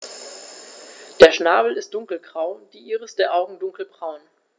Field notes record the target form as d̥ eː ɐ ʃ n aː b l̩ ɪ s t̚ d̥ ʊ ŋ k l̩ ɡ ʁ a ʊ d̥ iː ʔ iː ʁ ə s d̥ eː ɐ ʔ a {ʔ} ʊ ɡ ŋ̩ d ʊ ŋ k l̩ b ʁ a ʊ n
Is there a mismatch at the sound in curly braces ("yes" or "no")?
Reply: yes